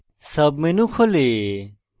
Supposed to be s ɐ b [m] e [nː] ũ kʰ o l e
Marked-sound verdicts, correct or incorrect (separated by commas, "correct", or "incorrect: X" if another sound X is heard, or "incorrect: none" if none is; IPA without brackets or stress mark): correct, incorrect: n